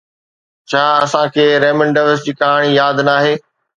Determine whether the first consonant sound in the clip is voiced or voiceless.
voiceless